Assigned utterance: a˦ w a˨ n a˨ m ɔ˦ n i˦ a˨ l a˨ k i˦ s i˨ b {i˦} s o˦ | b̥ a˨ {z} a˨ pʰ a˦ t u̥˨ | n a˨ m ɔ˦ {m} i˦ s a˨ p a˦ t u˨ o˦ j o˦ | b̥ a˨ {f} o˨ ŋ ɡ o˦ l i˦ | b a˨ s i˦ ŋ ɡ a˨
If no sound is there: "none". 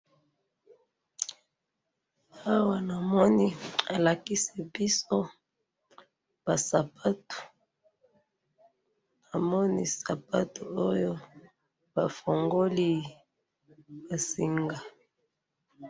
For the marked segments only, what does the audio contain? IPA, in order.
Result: i˦, s, n, f

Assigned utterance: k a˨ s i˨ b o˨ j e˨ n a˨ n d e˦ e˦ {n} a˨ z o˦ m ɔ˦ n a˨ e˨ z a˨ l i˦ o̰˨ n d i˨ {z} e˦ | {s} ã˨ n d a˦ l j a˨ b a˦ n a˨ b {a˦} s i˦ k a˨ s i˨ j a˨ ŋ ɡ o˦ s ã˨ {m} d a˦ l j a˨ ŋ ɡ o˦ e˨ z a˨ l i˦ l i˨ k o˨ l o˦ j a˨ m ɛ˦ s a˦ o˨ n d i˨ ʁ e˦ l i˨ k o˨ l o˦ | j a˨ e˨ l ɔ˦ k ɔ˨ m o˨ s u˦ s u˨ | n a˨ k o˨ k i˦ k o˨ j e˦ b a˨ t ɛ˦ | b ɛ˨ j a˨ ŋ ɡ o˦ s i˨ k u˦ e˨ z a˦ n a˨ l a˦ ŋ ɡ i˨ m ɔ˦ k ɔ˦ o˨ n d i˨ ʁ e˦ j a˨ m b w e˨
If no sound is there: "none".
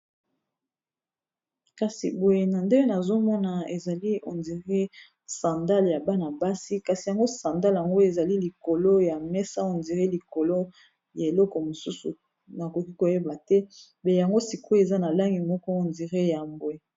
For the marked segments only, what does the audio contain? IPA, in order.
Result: n, ʁ, s, a˦, n

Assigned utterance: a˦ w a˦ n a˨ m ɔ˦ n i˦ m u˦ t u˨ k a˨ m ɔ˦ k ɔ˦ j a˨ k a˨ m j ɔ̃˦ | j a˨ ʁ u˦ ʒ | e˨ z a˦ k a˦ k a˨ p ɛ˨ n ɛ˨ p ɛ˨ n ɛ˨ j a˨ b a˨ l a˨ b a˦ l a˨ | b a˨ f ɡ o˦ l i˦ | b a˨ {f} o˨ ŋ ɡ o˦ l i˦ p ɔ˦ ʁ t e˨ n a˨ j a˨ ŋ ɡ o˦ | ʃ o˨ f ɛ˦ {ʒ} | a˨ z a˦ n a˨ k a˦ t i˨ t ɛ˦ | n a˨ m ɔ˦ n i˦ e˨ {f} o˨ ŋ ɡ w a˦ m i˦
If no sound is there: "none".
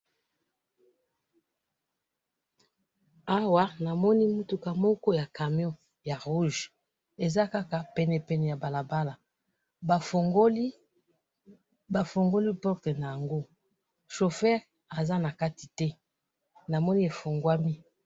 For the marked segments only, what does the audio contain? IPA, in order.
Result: f, ʁ, f

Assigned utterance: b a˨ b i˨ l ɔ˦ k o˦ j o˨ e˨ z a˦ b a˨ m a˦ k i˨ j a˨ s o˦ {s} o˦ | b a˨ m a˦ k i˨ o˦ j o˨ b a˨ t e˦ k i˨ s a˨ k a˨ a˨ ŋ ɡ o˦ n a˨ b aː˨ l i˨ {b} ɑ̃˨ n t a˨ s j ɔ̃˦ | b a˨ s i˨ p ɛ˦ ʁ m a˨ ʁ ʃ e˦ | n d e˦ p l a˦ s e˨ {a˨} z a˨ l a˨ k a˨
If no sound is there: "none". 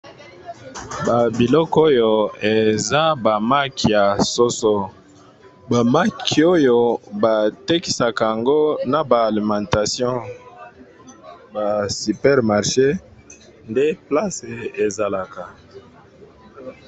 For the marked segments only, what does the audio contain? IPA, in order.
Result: s, m, e˨

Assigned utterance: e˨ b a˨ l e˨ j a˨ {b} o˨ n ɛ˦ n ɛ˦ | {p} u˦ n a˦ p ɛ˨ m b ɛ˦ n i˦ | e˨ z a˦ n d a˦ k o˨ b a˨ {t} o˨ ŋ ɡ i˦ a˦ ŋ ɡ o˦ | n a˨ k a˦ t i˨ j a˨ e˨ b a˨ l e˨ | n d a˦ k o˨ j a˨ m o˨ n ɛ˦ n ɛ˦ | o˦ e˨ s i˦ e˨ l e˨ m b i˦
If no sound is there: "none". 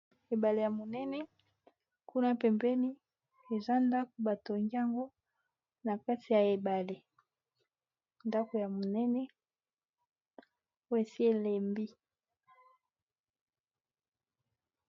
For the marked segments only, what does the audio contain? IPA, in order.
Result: m, k, t

